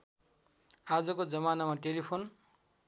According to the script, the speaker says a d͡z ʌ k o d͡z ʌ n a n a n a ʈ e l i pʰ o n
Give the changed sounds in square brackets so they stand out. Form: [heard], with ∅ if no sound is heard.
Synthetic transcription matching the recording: a d͡z ʌ k o d͡z ʌ [m] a n a [m] a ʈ e l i pʰ o n